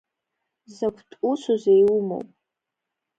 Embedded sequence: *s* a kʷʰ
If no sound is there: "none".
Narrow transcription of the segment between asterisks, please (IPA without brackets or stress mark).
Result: z